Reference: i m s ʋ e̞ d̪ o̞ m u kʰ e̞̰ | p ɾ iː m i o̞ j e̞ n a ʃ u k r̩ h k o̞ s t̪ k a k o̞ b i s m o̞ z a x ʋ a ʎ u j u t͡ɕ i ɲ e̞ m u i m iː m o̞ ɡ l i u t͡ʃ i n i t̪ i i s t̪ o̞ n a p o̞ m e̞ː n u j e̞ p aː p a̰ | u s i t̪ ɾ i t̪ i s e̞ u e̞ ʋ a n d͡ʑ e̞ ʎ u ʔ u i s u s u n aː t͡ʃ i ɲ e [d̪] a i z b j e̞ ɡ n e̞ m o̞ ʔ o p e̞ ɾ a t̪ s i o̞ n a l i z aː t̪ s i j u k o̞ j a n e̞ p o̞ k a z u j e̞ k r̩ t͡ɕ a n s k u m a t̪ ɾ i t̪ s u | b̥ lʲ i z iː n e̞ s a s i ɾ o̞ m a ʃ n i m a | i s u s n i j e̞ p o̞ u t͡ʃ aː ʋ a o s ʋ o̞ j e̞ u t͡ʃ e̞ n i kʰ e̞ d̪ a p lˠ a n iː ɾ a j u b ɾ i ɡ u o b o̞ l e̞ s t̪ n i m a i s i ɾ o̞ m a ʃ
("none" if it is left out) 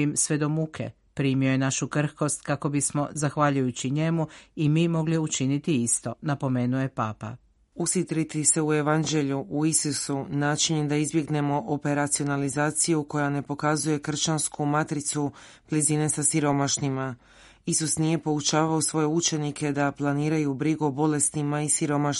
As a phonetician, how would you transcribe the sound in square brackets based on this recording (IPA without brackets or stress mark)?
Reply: d̪